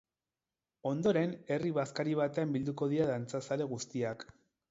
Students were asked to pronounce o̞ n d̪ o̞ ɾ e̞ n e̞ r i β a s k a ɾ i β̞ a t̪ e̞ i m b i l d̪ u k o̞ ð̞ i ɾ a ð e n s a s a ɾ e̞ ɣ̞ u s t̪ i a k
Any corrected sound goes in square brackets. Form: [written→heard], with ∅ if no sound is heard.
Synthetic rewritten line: o̞ n d̪ o̞ ɾ e̞ n e̞ r i β a s k a ɾ i β̞ a t̪ e̞ [i→a] m b i l d̪ u k o̞ ð̞ i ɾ a ð [e→a] n [s→t͡s] a s a [ɾ→l] e̞ ɣ̞ u s t̪ i a k